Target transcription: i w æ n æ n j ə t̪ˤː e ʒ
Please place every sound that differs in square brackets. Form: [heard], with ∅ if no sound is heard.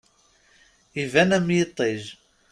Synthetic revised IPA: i [v] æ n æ [m] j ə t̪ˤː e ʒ